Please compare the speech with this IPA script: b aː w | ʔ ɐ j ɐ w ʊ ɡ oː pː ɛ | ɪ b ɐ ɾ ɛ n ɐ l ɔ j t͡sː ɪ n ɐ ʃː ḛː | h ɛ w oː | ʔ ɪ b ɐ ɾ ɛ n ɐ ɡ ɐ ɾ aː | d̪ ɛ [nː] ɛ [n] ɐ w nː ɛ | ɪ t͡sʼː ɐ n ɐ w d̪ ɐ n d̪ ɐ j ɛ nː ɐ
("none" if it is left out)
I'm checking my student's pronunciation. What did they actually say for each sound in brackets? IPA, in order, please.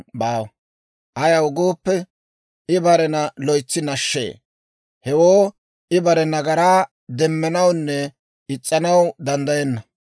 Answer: mː, n

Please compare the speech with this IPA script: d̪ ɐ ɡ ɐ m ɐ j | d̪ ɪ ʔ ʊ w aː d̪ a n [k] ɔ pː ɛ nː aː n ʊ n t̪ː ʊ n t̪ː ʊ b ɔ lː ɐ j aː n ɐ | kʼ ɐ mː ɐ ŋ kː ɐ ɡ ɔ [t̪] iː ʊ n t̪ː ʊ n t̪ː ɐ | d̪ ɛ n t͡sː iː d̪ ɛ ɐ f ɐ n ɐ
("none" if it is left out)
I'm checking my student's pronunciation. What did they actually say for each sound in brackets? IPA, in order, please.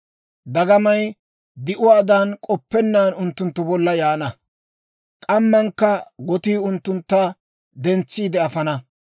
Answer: kʼ, t̪

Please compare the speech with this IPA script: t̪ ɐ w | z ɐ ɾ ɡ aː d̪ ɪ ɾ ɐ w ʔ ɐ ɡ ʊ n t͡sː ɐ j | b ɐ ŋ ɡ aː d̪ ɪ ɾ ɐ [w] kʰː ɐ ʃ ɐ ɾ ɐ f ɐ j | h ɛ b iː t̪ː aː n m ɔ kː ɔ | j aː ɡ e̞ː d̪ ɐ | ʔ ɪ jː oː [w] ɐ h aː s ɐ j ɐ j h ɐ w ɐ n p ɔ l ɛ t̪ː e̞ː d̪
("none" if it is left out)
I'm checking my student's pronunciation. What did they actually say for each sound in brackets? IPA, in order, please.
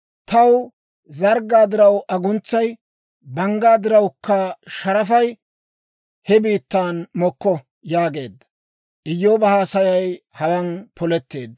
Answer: w, b

